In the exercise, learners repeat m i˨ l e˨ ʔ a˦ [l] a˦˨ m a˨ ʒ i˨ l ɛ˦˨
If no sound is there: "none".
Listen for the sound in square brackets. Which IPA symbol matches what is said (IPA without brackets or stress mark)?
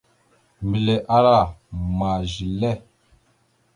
ɾ